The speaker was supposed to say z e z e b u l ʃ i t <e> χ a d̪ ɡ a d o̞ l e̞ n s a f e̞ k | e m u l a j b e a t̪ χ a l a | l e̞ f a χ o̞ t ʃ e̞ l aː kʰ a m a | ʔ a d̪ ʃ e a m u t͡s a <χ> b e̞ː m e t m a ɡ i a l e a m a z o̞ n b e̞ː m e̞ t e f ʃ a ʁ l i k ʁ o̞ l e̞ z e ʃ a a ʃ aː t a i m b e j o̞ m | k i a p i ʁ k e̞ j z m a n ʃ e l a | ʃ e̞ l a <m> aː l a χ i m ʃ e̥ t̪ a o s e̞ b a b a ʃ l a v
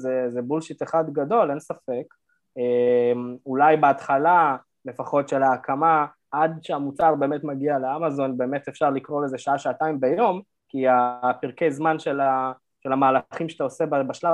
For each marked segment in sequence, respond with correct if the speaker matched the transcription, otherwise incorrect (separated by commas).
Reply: correct, incorrect, correct